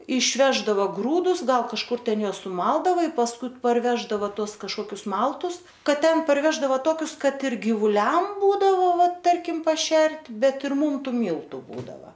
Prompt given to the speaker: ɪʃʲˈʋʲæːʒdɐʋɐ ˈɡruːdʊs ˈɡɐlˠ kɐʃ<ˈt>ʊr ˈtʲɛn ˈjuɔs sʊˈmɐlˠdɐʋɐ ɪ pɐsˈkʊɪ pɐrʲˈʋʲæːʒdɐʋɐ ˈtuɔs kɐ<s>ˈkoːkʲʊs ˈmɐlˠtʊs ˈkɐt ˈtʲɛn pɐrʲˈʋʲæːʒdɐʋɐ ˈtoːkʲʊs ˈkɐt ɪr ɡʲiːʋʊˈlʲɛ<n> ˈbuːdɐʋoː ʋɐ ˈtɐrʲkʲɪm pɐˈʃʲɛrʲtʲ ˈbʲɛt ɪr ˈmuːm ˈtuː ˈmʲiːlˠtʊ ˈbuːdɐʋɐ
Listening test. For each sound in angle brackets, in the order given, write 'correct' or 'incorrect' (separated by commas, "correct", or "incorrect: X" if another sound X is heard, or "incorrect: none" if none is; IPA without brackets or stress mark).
incorrect: k, incorrect: ʃ, incorrect: m